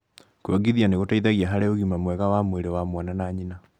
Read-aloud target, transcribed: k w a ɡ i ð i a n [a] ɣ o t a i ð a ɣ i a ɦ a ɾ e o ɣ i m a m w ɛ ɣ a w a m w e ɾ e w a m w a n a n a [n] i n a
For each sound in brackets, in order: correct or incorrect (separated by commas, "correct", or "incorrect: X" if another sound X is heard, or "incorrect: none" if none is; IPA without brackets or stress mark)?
incorrect: e, incorrect: ɲ